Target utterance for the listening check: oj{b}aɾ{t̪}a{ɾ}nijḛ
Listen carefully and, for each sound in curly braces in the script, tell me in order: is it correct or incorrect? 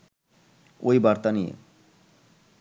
correct, correct, incorrect: none

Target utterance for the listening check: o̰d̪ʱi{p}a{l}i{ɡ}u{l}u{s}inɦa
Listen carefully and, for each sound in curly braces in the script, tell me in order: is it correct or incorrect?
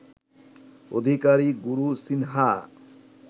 incorrect: k, incorrect: ɾ, correct, incorrect: ɾ, correct

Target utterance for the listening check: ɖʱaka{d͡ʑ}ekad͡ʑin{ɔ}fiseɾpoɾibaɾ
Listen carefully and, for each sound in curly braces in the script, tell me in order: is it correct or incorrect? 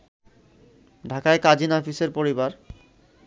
incorrect: none, correct

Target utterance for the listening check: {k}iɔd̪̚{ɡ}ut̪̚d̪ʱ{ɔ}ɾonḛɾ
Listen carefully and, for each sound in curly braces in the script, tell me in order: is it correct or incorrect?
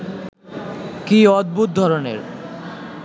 correct, incorrect: b, correct

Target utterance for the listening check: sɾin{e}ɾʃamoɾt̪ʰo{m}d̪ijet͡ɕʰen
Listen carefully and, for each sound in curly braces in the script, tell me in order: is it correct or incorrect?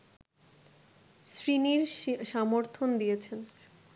incorrect: i, incorrect: n

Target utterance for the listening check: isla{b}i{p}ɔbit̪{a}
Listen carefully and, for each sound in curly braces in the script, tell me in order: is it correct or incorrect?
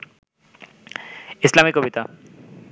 incorrect: m, incorrect: k, correct

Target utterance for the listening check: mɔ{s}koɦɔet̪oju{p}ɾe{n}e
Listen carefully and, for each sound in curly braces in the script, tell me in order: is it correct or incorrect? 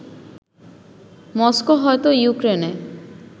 correct, incorrect: k, correct

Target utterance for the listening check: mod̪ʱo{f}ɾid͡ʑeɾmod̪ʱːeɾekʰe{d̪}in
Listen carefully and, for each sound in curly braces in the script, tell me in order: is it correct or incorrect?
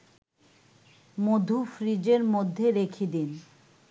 correct, correct

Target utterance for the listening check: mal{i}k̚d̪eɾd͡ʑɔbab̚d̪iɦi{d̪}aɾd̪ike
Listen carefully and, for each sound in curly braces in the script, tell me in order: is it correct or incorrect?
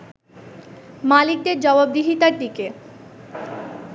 correct, incorrect: t̪

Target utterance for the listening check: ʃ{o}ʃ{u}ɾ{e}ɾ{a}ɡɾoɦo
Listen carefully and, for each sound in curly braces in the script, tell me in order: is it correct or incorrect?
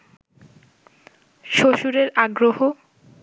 correct, correct, correct, correct

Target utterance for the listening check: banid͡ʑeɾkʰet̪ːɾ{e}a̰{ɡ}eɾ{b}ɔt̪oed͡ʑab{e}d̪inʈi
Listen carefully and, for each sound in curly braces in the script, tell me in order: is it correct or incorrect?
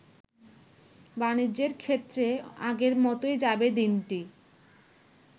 correct, correct, incorrect: m, correct

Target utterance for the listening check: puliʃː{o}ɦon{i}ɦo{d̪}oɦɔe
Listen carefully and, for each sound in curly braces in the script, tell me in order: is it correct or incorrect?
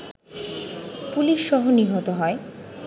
incorrect: ɔ, correct, incorrect: t̪

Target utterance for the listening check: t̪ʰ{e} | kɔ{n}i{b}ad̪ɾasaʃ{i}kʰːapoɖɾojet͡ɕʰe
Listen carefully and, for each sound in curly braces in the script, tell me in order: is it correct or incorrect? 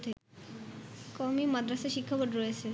correct, incorrect: m, incorrect: m, correct

